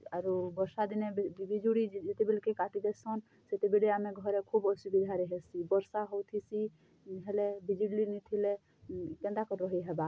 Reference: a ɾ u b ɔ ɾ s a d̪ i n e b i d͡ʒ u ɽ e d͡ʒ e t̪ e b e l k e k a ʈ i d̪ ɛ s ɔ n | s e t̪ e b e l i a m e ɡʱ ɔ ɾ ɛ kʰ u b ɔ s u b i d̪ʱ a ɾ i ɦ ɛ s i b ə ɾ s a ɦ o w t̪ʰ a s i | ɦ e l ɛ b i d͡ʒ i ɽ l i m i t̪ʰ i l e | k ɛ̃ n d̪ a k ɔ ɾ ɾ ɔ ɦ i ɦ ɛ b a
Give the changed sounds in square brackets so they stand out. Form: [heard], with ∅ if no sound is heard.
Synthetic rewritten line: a ɾ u b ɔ ɾ s a d̪ i n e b i d͡ʒ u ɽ [i] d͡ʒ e t̪ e b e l k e k a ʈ i d̪ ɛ s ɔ n | s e t̪ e b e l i a m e ɡʱ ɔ ɾ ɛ kʰ u b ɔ s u b i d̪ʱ a ɾ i ɦ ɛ s i b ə ɾ s a ɦ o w t̪ʰ [i] s i | ɦ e l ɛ b i d͡ʒ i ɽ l i [n] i t̪ʰ i l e | k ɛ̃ n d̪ a k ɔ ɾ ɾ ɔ ɦ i ɦ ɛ b a

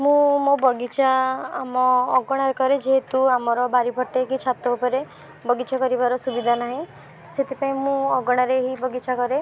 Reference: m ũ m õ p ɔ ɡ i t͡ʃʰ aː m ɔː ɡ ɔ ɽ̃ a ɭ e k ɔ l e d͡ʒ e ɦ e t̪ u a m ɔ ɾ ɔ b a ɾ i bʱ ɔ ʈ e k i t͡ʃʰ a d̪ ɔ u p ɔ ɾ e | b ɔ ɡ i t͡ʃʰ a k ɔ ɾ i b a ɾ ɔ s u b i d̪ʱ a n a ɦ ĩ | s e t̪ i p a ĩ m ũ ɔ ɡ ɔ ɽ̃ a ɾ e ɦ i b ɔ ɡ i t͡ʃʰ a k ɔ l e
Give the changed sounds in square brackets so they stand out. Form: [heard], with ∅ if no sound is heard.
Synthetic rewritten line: m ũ m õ [b] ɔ ɡ i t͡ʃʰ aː m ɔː ɡ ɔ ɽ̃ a [ɾ] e k ɔ [ɾ] e d͡ʒ e ɦ e t̪ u a m ɔ ɾ ɔ b a ɾ i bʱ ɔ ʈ e k i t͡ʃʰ a [t̪] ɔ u p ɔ ɾ e | b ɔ ɡ i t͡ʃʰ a k ɔ ɾ i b a ɾ ɔ s u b i d̪ʱ a n a ɦ ĩ | s e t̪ i p a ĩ m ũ ɔ ɡ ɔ ɽ̃ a ɾ e ɦ i b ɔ ɡ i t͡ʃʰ a k ɔ [ɾ] e

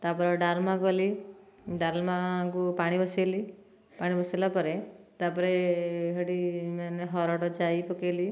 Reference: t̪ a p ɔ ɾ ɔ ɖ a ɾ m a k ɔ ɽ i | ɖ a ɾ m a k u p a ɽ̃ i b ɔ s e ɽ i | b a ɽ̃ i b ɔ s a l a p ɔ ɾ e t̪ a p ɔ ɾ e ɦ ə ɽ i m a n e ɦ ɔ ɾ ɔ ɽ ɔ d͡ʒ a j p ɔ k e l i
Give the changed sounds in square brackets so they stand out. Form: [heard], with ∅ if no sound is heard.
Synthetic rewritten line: t̪ a p ɔ ɾ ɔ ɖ a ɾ m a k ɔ [l] i | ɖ a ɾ m a k u p a ɽ̃ i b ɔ s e [l] i | [p] a ɽ̃ i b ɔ s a l a p ɔ ɾ e t̪ a p ɔ ɾ e ɦ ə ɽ i m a n e ɦ ɔ ɾ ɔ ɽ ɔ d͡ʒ a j p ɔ k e l i

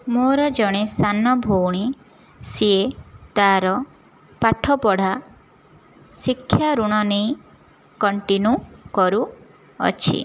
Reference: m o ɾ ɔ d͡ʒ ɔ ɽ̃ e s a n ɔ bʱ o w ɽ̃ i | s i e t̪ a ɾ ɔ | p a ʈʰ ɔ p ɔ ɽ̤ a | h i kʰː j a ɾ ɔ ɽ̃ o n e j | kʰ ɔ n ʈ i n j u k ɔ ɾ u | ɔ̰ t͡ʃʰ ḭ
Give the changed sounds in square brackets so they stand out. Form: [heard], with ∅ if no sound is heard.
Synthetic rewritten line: m o ɾ ɔ d͡ʒ ɔ ɽ̃ e s a n ɔ bʱ o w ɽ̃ i | s i e t̪ a ɾ ɔ | p a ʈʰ ɔ p ɔ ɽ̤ a | [s] i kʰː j a ɾ [u] ɽ̃ [ɔ] n e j | [k] ɔ [ɳ] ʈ i n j u k ɔ ɾ u | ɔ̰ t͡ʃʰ ḭ

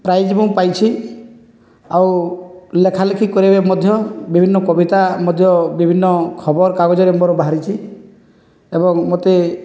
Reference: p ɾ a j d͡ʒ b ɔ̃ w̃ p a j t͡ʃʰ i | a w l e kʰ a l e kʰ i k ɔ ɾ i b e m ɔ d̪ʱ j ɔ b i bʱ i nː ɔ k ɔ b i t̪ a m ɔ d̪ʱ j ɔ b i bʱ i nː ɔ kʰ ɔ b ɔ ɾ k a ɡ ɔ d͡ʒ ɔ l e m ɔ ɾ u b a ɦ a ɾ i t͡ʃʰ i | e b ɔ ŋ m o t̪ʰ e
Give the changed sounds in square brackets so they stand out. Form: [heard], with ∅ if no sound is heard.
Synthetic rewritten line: p ɾ a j d͡ʒ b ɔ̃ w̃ p a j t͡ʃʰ i | a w l e kʰ a l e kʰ i k ɔ ɾ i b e m ɔ d̪ʱ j ɔ b i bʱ i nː ɔ k ɔ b i t̪ a m ɔ d̪ʱ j ɔ b i bʱ i nː ɔ kʰ ɔ b ɔ ɾ k a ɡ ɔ d͡ʒ ɔ [ɾ] e m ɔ ɾ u b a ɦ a ɾ i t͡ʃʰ i | e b ɔ ŋ m o [t̪] e

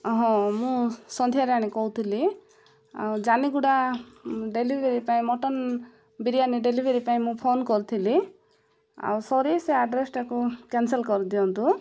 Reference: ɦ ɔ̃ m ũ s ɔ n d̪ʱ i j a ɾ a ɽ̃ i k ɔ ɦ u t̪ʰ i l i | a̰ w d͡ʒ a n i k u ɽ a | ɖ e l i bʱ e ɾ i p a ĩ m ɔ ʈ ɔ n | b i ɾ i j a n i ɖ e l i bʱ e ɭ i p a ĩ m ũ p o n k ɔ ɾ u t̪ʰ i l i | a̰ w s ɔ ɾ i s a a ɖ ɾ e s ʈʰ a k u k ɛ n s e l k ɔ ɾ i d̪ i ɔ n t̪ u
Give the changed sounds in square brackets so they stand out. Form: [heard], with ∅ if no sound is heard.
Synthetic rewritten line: ɦ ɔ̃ m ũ s ɔ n d̪ʱ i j a ɾ a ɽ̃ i k ɔ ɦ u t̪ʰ i l i | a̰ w d͡ʒ a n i [ɡ] u ɽ a | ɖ e l i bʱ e ɾ i p a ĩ m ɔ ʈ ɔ n | b i ɾ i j a n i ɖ e l i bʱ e [ɾ] i p a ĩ m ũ [pʰ] o n k ɔ ɾ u t̪ʰ i l i | a̰ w s ɔ ɾ i s [e] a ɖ ɾ e s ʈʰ a k u k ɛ n s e l k ɔ ɾ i d̪ i ɔ n t̪ u

